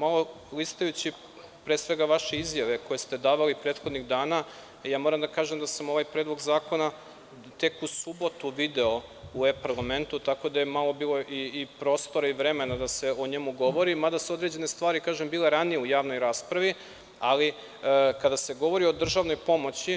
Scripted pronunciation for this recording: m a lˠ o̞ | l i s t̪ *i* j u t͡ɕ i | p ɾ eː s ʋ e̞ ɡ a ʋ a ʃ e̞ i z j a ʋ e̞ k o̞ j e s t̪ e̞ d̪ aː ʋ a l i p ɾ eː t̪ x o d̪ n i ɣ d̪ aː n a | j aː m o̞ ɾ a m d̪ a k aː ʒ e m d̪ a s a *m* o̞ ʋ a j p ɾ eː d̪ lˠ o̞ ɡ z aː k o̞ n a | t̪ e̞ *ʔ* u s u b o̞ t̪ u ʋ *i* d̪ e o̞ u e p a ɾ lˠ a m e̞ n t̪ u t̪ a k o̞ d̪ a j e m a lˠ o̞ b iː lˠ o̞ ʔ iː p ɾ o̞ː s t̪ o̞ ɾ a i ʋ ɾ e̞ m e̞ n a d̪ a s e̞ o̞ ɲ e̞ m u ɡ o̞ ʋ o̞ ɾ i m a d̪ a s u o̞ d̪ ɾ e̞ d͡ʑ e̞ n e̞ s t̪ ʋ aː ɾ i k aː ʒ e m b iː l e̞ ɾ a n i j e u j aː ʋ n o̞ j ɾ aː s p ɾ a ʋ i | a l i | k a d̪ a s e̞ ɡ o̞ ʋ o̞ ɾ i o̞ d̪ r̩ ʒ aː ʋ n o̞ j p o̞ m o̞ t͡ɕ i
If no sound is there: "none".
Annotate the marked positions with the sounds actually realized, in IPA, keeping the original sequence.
a, m, k, i

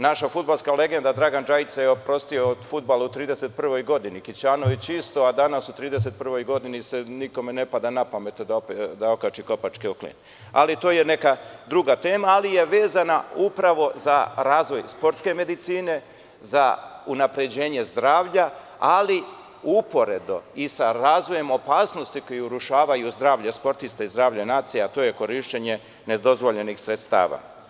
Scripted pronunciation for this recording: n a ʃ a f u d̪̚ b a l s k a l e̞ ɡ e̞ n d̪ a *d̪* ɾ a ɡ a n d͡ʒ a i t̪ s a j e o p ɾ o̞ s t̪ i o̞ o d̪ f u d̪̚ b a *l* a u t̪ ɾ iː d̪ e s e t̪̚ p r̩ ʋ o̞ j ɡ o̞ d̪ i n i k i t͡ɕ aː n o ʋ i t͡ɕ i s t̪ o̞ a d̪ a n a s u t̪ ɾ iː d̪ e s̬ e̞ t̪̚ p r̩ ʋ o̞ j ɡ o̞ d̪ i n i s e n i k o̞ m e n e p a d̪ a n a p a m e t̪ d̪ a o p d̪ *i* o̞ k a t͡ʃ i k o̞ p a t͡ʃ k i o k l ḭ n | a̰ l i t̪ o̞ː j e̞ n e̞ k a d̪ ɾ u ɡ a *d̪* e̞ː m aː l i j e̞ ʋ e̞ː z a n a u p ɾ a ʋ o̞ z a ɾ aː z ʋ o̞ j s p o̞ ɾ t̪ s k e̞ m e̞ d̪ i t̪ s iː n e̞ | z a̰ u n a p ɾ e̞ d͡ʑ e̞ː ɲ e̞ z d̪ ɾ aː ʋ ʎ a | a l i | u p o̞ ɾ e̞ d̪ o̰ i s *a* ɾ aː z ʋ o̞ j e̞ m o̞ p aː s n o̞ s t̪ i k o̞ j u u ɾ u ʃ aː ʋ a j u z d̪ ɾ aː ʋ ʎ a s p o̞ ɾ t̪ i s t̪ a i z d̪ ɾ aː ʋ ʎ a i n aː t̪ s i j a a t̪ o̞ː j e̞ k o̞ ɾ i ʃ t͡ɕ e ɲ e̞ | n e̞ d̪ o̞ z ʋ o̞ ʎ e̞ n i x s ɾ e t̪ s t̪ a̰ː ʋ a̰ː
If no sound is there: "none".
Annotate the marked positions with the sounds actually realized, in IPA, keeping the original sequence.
d̪, l, a, t̪, a

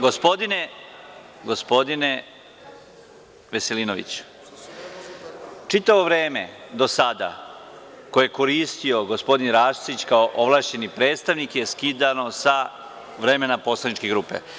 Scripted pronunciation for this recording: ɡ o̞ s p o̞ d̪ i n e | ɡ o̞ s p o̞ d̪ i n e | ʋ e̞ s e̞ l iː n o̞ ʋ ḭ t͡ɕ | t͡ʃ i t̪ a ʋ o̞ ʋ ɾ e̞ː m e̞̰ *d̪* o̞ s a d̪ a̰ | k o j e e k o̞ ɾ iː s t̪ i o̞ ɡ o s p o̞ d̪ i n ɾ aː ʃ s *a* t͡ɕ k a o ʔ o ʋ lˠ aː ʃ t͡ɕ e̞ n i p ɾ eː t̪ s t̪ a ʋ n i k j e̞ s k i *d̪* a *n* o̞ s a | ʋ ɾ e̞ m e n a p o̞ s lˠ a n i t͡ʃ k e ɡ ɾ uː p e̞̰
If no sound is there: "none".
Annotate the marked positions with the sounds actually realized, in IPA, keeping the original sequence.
d̪, i, d̪, n

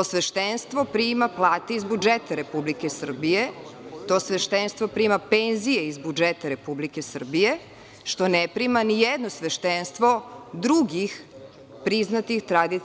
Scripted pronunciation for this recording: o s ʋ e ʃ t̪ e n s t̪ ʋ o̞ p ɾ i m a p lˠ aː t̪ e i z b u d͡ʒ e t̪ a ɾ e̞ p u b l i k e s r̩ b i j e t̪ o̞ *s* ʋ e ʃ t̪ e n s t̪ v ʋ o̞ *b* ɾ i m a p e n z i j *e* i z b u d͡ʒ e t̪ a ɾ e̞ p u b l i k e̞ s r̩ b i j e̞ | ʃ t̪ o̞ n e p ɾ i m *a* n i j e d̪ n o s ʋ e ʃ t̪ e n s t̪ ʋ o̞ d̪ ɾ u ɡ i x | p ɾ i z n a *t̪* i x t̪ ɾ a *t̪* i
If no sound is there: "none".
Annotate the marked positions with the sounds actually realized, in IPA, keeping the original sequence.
s, p, e, a, t̪, d̪

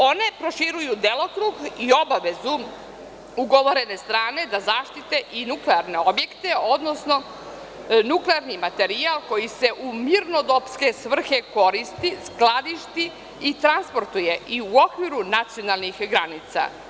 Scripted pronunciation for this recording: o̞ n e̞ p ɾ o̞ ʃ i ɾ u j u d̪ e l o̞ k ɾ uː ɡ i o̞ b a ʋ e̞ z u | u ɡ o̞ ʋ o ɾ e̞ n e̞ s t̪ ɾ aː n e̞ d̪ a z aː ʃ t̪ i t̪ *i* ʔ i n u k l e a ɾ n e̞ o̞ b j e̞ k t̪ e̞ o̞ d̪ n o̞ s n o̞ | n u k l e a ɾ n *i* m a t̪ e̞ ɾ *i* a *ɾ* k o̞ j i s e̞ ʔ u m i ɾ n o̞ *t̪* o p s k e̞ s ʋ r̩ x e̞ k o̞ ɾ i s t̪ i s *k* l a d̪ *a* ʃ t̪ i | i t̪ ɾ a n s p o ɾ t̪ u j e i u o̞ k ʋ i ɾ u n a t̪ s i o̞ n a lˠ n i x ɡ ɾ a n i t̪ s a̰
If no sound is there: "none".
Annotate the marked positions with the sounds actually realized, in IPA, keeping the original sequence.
e, i, i, l, d̪, k, i

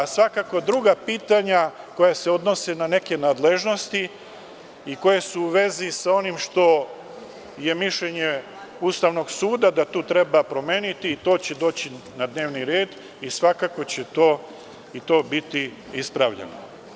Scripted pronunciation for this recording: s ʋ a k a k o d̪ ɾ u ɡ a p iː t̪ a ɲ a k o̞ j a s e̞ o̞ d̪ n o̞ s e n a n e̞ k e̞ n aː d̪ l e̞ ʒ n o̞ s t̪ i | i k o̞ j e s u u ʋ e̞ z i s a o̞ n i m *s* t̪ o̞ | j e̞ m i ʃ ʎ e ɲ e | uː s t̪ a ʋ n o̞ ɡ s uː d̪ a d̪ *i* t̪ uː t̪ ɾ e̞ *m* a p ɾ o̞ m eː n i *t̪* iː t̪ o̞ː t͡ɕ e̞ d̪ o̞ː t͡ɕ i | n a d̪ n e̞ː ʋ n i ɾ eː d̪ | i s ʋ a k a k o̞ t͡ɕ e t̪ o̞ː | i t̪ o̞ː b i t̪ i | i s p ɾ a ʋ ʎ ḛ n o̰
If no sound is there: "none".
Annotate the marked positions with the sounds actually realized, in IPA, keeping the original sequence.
ʃ, a, b, t̪

